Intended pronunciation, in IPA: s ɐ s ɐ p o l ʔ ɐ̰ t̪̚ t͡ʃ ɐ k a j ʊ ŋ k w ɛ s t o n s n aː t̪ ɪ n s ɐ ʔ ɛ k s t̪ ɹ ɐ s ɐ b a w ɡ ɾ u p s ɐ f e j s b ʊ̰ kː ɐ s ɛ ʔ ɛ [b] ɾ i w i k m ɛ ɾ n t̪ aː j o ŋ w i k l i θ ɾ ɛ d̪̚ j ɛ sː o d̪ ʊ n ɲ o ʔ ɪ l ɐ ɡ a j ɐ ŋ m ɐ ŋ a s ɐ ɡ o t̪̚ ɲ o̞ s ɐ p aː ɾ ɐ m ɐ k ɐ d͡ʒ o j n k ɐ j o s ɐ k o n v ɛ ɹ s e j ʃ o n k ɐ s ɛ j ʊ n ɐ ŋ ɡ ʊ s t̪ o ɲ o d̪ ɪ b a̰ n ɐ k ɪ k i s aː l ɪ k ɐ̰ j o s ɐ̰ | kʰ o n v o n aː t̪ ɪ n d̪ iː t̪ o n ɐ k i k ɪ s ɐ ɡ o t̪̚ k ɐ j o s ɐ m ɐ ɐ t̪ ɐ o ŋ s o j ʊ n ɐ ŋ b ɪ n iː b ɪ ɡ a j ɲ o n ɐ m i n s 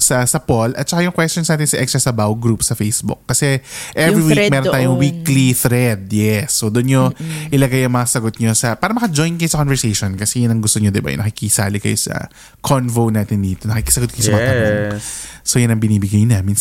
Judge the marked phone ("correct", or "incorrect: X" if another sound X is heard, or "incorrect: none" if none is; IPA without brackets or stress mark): incorrect: v